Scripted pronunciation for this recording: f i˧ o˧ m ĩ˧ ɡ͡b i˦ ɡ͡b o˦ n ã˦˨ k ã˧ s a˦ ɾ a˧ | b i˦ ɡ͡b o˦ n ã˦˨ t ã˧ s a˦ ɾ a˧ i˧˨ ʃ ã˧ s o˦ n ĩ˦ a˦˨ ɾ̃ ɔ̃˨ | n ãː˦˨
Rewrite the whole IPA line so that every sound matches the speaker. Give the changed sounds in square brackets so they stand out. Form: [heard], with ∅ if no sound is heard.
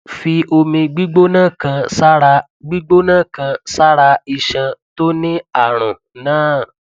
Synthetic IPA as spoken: f i˧ o˧ m ĩ˧ ɡ͡b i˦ ɡ͡b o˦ n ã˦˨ k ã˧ s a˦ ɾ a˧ | [ɡ͡b] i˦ ɡ͡b o˦ n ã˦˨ [k] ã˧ s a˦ ɾ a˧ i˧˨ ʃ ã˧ [t] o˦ n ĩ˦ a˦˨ ɾ̃ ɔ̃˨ | n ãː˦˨